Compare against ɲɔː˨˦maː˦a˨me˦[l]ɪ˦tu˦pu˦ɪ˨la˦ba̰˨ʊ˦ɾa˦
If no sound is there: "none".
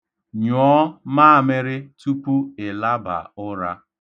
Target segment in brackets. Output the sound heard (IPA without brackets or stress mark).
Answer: ɾ